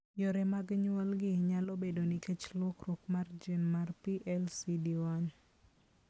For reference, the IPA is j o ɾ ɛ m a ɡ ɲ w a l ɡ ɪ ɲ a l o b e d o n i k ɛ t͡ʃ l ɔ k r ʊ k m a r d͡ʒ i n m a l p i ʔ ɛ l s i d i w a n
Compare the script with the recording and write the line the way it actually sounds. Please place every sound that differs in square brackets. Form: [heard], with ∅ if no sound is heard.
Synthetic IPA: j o ɾ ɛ m a ɡ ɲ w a l ɡ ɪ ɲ a l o b e d o n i k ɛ t͡ʃ l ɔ k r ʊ k m a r d͡ʒ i n m a [r] p i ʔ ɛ l s i d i w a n